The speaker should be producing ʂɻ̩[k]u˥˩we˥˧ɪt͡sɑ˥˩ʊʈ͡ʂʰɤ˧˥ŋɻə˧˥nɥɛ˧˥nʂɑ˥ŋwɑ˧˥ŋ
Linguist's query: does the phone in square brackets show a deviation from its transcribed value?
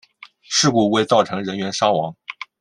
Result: no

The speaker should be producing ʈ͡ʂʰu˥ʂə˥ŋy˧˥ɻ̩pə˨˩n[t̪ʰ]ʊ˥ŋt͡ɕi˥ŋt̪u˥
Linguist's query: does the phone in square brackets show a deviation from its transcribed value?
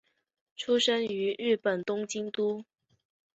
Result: yes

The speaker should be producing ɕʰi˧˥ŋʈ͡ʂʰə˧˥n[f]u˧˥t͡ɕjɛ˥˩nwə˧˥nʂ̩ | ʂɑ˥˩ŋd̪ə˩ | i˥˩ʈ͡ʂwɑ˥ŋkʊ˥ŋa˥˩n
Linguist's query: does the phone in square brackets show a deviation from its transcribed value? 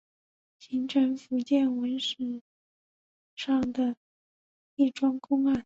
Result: no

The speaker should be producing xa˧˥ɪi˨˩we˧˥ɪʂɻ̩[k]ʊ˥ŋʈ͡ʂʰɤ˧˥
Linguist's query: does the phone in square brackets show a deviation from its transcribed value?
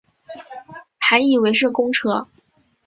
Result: no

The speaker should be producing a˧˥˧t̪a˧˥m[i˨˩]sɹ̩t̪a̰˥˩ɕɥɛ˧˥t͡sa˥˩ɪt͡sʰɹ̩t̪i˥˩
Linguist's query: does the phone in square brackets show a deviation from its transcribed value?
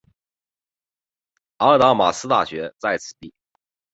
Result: yes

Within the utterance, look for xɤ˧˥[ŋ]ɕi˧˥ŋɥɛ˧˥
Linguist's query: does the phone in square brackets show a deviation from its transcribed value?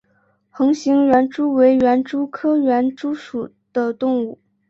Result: no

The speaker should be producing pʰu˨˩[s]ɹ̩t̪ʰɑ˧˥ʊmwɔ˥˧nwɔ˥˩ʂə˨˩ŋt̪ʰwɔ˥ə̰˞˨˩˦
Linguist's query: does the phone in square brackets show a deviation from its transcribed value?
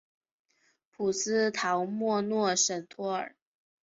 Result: no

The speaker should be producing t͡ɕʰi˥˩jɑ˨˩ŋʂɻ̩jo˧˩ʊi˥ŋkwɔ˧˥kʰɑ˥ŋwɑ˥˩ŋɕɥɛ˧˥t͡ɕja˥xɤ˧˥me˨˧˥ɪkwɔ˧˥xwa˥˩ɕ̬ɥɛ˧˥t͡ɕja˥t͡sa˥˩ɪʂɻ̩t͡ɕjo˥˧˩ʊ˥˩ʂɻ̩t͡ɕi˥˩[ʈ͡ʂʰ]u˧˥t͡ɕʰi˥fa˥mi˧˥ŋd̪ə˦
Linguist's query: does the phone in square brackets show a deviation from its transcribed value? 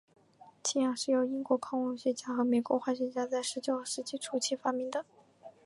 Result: no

